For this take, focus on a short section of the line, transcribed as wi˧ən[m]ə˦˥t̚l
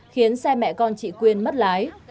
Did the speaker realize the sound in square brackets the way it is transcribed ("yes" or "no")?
yes